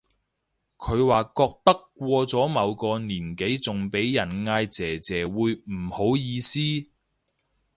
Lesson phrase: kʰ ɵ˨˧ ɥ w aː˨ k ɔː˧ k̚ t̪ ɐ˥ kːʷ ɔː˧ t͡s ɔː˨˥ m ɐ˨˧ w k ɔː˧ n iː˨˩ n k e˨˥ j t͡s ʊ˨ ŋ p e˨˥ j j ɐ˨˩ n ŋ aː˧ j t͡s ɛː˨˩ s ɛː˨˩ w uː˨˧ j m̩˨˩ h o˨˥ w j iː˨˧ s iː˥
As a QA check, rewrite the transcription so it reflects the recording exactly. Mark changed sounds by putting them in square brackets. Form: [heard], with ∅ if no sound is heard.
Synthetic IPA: kʰ ɵ˨˧ ɥ w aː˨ k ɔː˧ k̚ t̪ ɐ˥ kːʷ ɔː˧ t͡s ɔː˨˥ m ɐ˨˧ w k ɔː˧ n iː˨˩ n k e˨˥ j t͡s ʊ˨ ŋ p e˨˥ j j ɐ˨˩ n ŋ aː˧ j t͡s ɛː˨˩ [t͡s] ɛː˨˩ w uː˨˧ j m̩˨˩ h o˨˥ w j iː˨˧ s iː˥

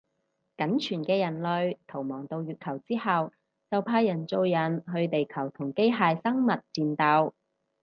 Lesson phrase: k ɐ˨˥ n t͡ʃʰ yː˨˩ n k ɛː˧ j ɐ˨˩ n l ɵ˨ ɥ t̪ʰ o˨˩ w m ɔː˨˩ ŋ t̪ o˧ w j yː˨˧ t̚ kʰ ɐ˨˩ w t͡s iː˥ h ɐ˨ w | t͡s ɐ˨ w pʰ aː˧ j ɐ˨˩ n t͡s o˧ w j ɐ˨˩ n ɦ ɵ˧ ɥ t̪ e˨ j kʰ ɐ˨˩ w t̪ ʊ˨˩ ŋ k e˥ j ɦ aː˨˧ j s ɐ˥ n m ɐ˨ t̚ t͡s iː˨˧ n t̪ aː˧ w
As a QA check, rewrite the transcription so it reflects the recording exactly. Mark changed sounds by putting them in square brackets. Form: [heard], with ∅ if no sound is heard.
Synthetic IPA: k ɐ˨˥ n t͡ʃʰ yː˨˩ n k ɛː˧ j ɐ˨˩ n l ɵ˨ ɥ t̪ʰ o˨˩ w m ɔː˨˩ ŋ t̪ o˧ w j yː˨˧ t̚ kʰ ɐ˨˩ w t͡s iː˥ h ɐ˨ w | t͡s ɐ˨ w pʰ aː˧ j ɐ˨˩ n t͡s o˧ w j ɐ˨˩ n ɦ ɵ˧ ɥ t̪ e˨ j kʰ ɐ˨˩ w [t̪ʰ] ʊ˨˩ ŋ k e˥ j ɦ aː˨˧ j s ɐ˥ [ŋ] m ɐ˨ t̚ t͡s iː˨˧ n t̪ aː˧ w

